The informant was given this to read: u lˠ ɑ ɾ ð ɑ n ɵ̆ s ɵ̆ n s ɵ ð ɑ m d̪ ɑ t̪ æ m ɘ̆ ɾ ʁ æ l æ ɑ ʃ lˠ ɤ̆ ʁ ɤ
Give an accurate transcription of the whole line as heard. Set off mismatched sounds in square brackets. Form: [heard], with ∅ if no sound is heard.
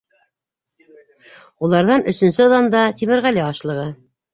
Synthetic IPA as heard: u lˠ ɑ ɾ ð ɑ n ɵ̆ s ɵ̆ n s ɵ ð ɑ [n] d̪ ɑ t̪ [i] m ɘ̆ ɾ ʁ æ l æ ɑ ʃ lˠ ɤ̆ ʁ ɤ